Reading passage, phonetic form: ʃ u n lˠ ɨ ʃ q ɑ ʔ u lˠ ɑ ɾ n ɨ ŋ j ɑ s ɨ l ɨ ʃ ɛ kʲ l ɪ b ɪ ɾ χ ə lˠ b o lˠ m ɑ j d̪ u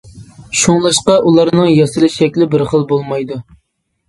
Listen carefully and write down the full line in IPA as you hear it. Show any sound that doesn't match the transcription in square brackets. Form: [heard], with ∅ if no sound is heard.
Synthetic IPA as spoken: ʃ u [ŋ] lˠ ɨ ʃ q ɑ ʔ u lˠ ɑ ɾ n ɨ ŋ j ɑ s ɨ l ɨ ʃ ɛ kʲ l ɪ b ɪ ɾ χ ə lˠ b o lˠ m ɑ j d̪ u